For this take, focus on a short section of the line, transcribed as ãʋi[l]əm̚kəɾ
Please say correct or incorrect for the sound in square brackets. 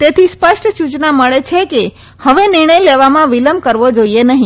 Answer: correct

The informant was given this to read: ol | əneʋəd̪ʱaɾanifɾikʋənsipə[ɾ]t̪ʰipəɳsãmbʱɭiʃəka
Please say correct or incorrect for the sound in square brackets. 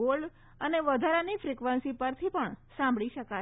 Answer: correct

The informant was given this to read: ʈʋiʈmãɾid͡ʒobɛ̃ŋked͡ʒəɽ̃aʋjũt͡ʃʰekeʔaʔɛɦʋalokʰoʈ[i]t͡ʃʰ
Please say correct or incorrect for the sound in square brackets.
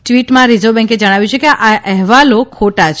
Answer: incorrect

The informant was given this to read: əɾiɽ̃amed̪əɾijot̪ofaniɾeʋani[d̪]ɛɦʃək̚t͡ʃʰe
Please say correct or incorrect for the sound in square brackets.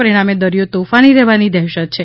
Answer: correct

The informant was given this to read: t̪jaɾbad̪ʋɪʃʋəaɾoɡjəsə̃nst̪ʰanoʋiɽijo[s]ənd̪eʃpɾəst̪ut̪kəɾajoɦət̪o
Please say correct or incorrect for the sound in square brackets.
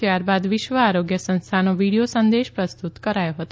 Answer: correct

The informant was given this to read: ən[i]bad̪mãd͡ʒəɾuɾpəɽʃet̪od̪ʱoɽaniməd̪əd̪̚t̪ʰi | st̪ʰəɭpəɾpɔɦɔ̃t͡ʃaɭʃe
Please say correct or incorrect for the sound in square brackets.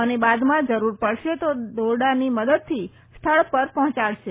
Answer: incorrect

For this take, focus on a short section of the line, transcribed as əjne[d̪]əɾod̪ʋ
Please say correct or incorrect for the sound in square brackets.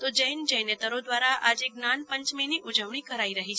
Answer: incorrect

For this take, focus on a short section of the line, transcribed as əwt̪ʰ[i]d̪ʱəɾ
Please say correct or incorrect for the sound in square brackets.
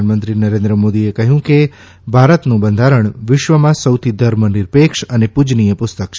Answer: correct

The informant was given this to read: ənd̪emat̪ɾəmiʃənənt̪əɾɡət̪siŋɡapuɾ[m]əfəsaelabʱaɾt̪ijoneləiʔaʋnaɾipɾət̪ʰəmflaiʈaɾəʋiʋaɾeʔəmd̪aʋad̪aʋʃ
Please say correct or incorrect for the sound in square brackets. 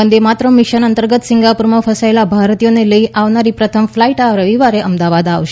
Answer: correct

